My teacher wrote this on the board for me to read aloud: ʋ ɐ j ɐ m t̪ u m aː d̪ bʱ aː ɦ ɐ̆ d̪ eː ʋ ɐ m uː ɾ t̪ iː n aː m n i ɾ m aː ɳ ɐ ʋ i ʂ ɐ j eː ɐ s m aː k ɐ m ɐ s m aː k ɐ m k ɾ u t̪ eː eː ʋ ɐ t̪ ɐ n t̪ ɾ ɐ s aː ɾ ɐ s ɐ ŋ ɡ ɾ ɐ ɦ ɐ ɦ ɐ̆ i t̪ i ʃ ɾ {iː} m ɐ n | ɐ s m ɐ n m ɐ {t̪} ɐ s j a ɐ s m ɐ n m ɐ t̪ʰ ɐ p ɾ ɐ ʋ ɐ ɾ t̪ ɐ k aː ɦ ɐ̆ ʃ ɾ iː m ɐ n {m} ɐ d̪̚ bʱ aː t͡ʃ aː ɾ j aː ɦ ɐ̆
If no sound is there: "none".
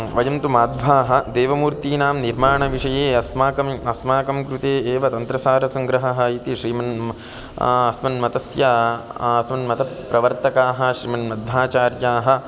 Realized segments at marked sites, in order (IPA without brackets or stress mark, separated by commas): iː, t̪, m